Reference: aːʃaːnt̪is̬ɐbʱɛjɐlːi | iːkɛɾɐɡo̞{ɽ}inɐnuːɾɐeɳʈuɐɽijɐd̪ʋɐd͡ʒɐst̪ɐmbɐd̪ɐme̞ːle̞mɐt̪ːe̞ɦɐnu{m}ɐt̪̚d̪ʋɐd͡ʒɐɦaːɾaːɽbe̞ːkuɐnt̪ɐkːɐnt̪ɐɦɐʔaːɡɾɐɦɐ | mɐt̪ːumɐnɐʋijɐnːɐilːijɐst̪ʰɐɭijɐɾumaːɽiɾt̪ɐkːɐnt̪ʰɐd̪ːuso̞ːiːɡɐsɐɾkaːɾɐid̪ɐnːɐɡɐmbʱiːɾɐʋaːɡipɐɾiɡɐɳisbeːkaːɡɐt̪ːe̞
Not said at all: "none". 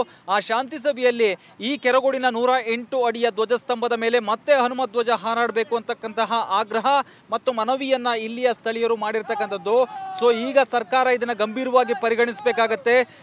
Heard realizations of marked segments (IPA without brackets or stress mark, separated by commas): ɽ, m